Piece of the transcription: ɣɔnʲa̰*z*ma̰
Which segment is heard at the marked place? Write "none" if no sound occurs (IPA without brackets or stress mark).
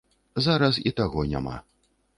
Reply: none